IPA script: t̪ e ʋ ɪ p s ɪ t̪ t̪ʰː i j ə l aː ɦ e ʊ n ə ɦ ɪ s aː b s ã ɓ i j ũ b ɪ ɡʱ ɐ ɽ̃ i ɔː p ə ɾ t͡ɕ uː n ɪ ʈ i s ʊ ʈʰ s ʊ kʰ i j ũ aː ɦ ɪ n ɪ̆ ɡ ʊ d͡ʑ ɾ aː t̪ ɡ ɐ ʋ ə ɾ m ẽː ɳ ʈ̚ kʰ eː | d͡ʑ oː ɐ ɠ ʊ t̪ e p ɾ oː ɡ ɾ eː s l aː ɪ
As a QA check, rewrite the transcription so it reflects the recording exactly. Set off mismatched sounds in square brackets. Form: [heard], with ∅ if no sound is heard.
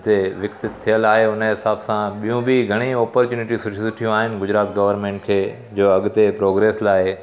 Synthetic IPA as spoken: t̪ e ʋ ɪ [k] s ɪ t̪ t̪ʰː i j ə l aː ɦ e ʊ n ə ɦ ɪ s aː b s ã ɓ i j ũ b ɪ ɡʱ ɐ ɽ̃ i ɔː p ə ɾ t͡ɕ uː n ɪ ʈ i s ʊ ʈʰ s ʊ [ʈʰ] i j ũ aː ɦ ɪ n ɪ̆ ɡ ʊ d͡ʑ ɾ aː t̪ ɡ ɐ ʋ ə ɾ m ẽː ɳ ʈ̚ kʰ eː | d͡ʑ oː ɐ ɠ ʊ t̪ e p ɾ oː ɡ ɾ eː s l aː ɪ